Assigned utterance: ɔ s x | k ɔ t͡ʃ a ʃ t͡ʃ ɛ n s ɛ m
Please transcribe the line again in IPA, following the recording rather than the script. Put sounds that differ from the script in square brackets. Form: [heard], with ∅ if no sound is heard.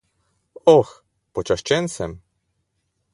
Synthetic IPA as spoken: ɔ [∅] x | [p] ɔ t͡ʃ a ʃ t͡ʃ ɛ n s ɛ m